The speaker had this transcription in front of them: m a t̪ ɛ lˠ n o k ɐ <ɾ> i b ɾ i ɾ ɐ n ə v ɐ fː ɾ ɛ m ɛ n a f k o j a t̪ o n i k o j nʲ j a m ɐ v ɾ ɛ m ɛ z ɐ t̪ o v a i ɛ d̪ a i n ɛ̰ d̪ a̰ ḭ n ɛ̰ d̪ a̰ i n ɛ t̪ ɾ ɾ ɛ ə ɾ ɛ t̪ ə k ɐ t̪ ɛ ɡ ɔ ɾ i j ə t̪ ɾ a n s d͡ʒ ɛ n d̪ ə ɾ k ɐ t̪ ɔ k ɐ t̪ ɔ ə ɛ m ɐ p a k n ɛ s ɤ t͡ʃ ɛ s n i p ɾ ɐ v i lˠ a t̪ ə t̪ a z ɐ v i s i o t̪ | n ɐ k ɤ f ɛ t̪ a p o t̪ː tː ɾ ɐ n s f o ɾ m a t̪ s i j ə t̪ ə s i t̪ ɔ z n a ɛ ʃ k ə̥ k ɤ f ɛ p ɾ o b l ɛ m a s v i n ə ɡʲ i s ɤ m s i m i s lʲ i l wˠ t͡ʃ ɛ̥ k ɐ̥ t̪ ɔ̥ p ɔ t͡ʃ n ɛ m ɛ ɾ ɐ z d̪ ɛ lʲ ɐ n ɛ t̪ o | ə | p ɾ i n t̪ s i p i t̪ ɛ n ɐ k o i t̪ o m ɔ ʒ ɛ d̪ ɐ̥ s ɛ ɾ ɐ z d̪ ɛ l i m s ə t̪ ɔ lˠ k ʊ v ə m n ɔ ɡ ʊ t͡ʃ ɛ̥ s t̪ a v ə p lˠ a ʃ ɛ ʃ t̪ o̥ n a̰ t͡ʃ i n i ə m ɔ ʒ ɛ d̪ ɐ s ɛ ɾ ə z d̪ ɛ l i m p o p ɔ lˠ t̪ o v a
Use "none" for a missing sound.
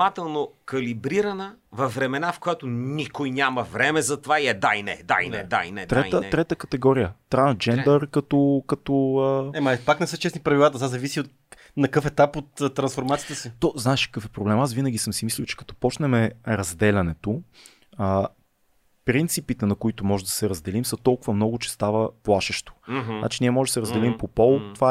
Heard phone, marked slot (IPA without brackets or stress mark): l